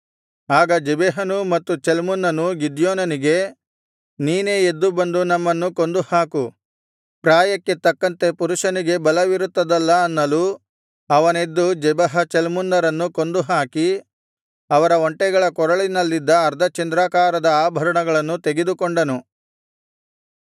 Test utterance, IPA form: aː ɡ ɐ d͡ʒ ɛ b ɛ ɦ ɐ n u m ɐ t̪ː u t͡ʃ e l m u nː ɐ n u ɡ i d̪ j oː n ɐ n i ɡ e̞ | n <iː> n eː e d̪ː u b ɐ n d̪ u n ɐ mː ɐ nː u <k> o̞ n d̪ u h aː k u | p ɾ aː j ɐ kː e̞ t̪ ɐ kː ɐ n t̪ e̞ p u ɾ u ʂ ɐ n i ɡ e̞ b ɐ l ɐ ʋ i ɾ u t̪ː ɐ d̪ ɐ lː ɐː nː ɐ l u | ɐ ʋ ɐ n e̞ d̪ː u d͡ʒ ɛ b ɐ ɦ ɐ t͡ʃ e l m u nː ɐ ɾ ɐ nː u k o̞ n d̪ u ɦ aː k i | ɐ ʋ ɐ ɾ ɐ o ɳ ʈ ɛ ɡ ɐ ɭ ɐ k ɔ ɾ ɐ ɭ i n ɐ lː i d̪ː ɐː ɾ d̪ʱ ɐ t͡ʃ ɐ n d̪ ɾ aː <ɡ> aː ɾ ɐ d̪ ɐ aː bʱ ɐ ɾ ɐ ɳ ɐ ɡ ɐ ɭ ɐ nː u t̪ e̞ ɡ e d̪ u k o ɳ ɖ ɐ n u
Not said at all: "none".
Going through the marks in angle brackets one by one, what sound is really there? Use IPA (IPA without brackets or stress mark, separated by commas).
iː, k, k